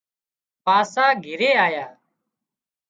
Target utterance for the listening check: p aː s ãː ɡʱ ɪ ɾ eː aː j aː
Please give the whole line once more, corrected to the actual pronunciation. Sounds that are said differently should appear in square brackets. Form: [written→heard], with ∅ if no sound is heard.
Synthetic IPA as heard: p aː s [ãː→aː] ɡʱ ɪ ɾ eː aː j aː